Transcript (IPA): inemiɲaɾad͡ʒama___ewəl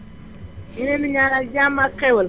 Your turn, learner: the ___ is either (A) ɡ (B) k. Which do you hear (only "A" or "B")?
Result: B